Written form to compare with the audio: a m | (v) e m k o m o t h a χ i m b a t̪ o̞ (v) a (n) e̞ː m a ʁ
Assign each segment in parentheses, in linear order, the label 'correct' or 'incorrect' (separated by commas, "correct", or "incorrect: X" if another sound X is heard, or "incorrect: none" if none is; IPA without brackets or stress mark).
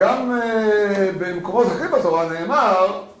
incorrect: b, incorrect: ʁ, correct